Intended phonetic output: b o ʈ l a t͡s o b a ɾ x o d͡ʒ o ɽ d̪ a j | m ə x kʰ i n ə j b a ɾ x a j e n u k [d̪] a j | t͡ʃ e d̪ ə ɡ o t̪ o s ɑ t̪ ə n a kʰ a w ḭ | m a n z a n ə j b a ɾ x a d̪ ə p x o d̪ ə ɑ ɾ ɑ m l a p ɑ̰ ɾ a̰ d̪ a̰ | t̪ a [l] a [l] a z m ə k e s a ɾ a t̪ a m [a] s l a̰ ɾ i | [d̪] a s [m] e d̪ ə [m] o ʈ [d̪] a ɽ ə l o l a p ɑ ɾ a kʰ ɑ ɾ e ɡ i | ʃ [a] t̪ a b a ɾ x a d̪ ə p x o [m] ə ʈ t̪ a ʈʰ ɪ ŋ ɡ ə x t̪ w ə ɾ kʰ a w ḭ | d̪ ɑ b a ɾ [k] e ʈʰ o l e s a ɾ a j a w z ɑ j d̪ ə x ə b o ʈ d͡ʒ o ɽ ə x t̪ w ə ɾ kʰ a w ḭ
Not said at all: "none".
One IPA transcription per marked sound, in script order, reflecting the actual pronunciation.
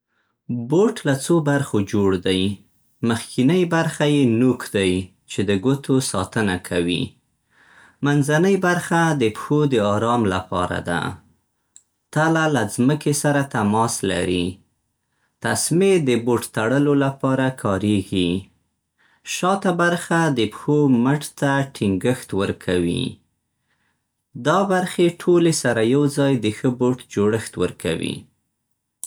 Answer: d̪, l, l, ɑ, t̪, m, b, t̪, ɑ, m, x

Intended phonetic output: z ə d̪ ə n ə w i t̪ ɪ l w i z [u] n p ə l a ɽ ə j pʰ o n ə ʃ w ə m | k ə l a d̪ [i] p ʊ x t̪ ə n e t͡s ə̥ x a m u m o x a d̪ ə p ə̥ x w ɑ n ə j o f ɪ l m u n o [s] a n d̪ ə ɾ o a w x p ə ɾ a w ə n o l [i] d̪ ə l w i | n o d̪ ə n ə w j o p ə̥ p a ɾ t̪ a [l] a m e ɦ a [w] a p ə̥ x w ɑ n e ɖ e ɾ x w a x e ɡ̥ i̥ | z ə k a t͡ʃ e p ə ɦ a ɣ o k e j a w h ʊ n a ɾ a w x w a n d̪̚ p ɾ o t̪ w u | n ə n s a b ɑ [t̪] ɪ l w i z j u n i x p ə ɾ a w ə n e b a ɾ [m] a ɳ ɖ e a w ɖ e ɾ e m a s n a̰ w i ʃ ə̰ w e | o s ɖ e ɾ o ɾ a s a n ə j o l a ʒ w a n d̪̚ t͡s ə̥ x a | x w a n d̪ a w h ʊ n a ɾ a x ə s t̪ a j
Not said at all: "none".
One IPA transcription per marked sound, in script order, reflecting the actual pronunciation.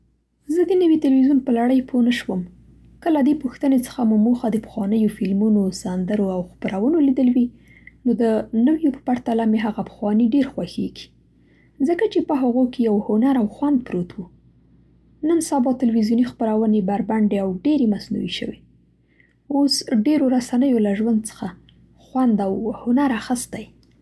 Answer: u, e, s, i, l, ɣ, t̪, b

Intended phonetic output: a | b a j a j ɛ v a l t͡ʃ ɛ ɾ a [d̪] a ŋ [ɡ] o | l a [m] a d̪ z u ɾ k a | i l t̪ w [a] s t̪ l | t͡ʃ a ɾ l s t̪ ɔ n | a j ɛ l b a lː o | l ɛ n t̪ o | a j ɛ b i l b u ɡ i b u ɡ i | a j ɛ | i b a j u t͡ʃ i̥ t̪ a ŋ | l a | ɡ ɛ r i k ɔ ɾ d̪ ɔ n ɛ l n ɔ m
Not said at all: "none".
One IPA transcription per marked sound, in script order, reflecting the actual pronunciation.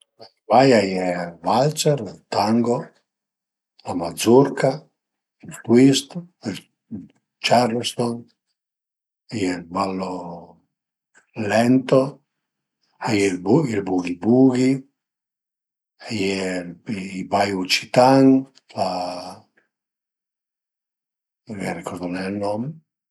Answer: t̪, ɡ, m, i

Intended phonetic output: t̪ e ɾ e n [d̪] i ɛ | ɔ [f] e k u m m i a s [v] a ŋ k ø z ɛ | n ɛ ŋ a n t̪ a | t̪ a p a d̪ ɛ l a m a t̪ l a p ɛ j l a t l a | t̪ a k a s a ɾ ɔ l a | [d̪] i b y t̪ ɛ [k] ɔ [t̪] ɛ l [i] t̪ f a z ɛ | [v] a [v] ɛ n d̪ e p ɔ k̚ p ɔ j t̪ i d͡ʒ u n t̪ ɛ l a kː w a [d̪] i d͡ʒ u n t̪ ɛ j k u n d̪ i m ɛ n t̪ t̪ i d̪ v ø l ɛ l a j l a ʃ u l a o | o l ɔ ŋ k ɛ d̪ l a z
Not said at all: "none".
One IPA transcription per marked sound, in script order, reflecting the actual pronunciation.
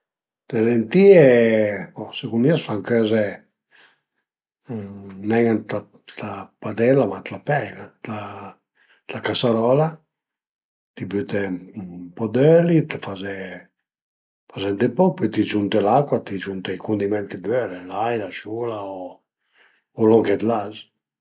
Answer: t̪, s, f, t̪, p, d̪, i, f, z, t̪

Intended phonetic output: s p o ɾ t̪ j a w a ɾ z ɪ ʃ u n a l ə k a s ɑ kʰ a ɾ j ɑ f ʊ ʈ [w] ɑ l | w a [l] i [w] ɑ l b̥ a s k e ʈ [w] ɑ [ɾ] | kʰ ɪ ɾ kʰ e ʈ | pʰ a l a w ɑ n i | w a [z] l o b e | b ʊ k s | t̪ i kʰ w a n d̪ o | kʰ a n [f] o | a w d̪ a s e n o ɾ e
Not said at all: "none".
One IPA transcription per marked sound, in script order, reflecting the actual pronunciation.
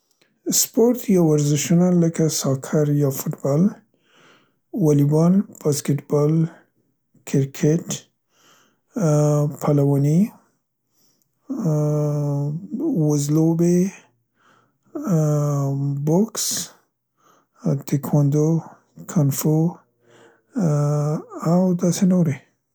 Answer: b, l, b, b, l, z, f

